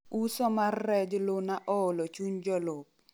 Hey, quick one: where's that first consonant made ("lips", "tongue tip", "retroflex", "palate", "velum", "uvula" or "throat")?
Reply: tongue tip